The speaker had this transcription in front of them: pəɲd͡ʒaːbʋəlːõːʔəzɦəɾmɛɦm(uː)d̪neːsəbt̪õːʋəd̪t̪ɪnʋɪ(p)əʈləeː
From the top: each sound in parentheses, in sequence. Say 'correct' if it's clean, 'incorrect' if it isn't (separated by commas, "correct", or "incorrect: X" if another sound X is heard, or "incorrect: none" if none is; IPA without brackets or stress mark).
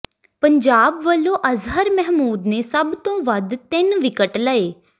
correct, incorrect: k